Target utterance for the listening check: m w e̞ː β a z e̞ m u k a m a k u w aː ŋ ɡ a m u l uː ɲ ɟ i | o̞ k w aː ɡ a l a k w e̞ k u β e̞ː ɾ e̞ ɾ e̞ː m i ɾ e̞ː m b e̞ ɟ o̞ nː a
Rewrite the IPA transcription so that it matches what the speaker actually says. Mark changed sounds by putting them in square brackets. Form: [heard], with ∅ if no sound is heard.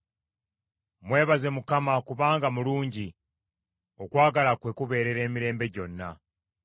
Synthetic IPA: m w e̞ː β a z e̞ m u k a m a k u [β] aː ŋ ɡ a m u l uː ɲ ɟ i | o̞ k w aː ɡ a l a k w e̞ k u β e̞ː ɾ e̞ ɾ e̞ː m i ɾ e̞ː m b e̞ ɟ o̞ nː a